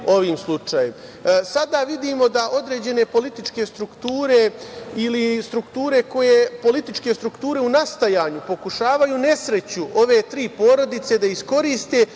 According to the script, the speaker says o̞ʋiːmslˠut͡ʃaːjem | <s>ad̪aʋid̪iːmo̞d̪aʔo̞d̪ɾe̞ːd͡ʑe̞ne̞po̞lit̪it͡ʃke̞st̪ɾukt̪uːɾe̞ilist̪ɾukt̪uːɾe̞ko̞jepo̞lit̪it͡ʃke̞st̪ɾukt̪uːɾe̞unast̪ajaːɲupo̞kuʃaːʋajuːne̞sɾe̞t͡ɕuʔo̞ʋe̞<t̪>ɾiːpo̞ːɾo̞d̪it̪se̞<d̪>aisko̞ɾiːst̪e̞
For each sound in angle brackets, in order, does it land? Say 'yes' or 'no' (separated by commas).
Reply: yes, yes, yes